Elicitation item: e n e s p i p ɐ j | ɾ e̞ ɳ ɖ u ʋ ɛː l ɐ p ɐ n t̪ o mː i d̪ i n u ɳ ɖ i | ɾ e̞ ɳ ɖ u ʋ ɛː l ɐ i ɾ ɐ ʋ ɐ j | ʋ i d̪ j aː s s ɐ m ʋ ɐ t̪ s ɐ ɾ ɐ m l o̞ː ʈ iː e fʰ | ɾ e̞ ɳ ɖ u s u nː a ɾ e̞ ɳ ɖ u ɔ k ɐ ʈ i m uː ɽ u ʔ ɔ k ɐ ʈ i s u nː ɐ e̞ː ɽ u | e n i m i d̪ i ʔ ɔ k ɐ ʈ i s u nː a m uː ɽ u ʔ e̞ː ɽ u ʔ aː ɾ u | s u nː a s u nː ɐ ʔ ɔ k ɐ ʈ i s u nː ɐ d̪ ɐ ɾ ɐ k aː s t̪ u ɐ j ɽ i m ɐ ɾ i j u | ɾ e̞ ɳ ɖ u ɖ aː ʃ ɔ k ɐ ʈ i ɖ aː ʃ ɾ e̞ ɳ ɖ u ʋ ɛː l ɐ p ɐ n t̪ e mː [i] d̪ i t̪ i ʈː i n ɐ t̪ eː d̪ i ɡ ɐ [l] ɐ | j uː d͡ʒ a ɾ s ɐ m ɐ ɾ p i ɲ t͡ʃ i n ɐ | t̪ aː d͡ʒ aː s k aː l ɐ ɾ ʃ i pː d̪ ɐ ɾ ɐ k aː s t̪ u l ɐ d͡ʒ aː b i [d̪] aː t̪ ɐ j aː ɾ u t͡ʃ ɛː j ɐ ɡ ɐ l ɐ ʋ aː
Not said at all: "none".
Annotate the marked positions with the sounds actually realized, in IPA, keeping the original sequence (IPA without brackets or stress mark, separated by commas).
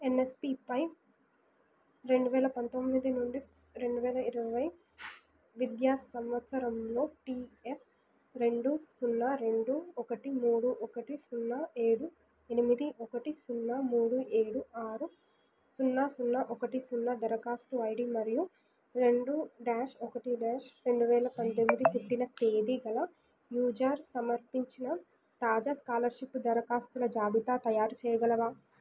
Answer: i, l, t̪